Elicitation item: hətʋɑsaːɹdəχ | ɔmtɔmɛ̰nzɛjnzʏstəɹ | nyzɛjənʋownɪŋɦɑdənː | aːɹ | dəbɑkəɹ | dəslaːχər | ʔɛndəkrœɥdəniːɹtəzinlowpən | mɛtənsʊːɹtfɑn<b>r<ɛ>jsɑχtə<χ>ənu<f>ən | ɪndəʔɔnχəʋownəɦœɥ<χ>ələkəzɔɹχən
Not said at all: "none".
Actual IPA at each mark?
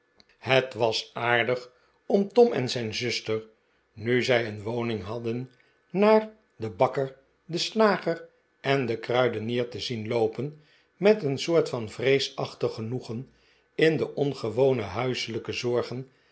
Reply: v, e, χ, χ, s

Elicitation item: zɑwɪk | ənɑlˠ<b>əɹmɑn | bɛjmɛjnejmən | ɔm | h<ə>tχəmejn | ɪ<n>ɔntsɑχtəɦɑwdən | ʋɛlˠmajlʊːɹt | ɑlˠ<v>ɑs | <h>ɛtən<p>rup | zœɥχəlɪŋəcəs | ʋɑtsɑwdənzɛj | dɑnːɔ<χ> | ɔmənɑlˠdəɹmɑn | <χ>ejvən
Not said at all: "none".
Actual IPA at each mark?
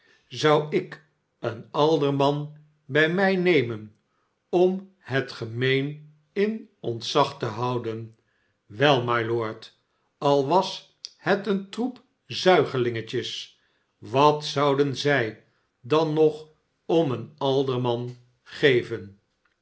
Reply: d, ə, n, ʋ, h, t, χ, χ

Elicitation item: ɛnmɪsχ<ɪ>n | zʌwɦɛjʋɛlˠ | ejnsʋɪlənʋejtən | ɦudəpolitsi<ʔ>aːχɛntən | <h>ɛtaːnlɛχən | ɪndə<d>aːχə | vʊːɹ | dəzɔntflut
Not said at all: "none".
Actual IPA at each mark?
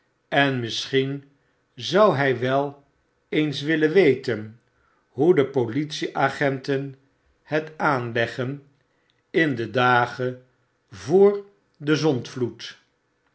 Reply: i, ʔ, h, d

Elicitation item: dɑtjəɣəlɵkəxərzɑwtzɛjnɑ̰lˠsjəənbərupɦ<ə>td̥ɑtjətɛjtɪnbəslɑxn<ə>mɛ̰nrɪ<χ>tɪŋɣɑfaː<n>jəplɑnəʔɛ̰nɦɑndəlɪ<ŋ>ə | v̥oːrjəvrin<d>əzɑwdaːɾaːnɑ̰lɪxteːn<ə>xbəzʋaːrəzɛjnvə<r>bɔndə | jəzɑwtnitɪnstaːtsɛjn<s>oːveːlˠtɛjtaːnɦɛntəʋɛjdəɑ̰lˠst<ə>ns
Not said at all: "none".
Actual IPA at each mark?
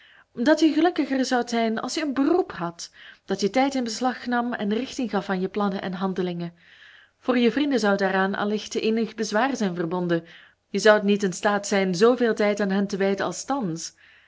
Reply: ɑ, ɑ, x, n, ŋ, d, ə, r, z, ɑ

